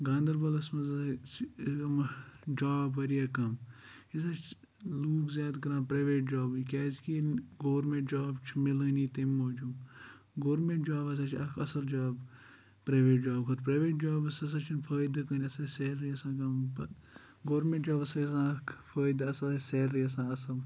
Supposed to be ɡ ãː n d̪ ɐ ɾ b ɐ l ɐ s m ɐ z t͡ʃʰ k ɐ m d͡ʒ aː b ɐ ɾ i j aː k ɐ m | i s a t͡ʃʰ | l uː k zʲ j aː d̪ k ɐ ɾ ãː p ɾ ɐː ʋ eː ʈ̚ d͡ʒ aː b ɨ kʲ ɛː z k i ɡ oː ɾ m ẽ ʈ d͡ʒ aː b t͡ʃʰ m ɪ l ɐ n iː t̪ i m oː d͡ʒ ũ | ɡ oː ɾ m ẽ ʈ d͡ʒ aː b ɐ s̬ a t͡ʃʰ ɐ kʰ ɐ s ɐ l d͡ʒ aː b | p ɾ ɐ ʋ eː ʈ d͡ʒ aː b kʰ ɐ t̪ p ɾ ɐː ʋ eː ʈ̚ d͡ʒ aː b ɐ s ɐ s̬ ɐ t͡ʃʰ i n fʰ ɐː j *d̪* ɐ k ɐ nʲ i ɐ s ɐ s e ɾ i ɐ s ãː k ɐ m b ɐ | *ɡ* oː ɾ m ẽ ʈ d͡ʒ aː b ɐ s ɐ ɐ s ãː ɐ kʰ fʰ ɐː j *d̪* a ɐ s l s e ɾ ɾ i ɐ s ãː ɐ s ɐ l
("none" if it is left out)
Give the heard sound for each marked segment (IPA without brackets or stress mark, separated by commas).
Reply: d̪, ɡ, d̪